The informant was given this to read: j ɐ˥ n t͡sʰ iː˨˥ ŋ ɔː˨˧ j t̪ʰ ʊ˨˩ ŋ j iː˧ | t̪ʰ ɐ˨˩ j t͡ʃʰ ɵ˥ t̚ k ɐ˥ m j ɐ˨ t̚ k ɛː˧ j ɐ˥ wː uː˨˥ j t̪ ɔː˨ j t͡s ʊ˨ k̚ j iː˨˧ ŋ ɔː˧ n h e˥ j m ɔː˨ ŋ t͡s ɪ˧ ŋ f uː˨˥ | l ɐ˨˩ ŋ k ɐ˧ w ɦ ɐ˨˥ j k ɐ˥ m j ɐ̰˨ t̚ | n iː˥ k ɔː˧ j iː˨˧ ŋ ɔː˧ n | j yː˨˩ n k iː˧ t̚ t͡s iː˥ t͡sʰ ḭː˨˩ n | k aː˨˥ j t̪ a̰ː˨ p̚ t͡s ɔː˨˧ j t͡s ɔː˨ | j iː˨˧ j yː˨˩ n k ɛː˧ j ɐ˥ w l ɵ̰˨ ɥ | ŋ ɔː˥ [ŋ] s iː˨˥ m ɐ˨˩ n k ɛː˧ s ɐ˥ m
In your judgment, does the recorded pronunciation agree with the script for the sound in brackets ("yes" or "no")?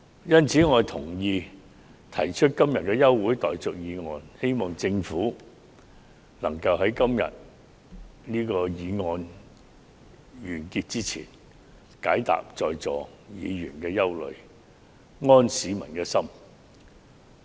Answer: no